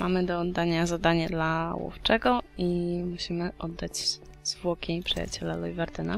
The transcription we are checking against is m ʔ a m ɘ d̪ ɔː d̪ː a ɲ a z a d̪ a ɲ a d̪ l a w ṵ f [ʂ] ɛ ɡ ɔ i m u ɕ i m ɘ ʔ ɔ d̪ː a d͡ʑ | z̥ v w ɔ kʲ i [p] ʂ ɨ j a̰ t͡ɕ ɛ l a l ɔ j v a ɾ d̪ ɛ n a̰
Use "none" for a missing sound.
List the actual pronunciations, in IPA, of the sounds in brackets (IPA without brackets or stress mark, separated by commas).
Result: t͡ʂ, p